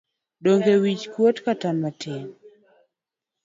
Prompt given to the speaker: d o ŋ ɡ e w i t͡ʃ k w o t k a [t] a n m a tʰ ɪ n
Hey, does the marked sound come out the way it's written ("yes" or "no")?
yes